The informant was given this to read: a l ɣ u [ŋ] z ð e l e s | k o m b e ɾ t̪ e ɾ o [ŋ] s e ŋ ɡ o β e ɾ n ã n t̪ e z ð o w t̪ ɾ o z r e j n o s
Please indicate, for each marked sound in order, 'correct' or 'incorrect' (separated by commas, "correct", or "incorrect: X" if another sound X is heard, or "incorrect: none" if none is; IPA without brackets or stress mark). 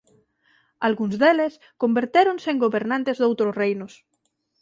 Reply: incorrect: n, incorrect: n